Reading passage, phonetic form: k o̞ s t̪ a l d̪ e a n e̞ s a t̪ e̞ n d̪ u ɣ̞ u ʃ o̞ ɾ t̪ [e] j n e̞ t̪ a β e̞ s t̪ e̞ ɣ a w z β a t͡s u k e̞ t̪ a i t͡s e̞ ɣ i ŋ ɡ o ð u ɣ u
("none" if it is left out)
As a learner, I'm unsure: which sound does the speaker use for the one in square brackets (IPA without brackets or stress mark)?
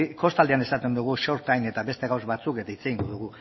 a